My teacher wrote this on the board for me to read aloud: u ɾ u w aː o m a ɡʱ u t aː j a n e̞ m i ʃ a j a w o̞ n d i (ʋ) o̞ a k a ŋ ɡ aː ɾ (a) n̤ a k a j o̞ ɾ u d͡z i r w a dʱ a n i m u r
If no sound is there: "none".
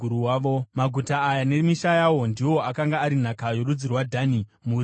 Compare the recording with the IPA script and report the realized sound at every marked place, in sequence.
w, i

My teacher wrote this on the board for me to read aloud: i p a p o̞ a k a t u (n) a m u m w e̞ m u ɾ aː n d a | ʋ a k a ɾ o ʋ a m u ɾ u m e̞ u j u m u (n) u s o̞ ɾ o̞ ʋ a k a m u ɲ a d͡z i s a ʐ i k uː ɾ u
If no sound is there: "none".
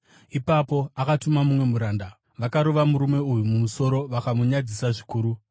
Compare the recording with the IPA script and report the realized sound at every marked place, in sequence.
m, m

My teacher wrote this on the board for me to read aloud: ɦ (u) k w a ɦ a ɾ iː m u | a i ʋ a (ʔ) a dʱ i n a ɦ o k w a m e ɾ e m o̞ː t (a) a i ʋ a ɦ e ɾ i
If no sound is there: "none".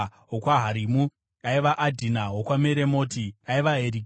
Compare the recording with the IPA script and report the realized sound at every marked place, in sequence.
o, ʔ, i

